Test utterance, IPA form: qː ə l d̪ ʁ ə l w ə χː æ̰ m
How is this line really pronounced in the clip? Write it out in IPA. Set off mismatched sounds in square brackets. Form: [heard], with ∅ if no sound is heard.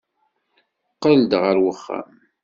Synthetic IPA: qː ə l d̪ ʁ ə [ɾ] w ə χː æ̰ m